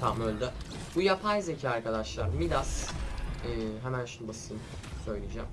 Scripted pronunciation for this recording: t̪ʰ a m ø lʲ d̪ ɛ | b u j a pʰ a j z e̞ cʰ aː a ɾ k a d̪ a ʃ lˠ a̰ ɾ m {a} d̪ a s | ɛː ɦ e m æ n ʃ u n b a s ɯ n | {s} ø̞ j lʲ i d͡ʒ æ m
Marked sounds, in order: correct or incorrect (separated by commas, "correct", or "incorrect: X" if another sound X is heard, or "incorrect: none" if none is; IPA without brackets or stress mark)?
incorrect: i, correct